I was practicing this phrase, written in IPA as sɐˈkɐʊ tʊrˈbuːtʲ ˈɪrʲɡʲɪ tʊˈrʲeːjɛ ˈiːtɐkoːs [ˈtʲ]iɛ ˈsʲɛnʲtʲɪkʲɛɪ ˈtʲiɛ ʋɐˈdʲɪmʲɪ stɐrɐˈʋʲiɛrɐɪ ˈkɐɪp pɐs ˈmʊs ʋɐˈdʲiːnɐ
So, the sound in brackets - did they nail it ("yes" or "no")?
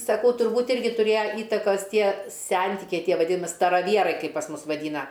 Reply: yes